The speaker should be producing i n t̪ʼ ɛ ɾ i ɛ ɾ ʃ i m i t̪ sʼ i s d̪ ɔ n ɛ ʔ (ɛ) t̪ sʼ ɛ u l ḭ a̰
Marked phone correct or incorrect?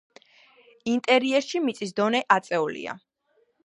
incorrect